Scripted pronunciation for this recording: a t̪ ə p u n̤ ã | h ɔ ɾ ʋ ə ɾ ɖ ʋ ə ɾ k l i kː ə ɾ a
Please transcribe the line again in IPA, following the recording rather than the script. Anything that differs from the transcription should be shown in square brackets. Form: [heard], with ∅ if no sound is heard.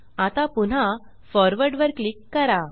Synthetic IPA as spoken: a t̪ [a] p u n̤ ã | [f] ɔ ɾ ʋ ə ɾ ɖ ʋ ə ɾ k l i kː ə ɾ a